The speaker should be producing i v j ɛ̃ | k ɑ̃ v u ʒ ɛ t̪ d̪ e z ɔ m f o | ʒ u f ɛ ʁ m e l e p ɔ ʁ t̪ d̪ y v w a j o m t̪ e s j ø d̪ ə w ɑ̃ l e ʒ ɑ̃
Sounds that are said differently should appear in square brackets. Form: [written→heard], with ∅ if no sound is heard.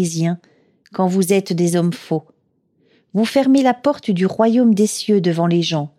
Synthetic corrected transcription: i [v→z] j ɛ̃ | k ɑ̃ v u [ʒ→z] ɛ t̪ d̪ e z ɔ m f o | [ʒ→v] u f ɛ ʁ m e l [e→a] p ɔ ʁ t̪ d̪ y [v→ʁ] w a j o m [t̪→d̪] e s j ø d̪ ə [w→v] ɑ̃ l e ʒ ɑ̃